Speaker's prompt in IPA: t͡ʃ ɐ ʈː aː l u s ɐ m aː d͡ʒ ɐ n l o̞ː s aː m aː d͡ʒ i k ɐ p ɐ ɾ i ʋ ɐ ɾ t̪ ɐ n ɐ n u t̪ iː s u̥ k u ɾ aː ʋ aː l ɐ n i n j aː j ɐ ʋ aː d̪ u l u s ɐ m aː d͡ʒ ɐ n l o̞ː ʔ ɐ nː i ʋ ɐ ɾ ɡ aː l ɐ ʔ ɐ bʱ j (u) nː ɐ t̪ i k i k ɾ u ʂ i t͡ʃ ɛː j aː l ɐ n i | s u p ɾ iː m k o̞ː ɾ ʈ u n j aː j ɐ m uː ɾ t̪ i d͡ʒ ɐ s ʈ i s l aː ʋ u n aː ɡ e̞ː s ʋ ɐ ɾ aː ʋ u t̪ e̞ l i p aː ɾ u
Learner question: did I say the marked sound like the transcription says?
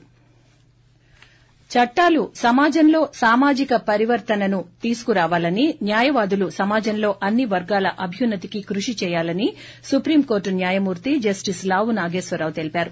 yes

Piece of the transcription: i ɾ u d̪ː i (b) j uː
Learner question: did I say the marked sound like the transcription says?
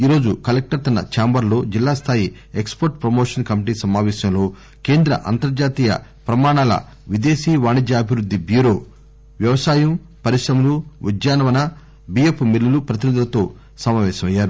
yes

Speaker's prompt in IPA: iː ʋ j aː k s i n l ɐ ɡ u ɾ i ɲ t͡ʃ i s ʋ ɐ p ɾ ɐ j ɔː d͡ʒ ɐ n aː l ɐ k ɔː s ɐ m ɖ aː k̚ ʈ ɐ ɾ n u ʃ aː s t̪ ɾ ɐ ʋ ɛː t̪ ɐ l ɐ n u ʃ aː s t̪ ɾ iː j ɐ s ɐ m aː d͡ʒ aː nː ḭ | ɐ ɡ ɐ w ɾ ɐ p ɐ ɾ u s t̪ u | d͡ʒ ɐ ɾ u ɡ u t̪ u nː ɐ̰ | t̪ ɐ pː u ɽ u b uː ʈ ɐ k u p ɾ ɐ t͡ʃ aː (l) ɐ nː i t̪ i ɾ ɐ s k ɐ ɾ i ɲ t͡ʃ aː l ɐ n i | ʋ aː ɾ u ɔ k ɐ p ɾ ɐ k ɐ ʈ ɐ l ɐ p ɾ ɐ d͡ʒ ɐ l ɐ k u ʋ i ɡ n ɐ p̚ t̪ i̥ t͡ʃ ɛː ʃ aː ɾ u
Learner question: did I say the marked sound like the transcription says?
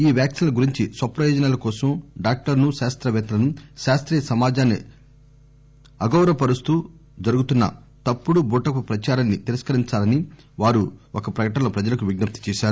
no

